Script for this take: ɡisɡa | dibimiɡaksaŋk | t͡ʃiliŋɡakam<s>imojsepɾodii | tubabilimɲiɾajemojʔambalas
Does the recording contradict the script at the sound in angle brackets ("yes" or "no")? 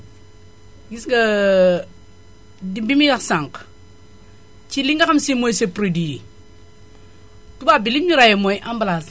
no